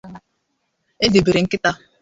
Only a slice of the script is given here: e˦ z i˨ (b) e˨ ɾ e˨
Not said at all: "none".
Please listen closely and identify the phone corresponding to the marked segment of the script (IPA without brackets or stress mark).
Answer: b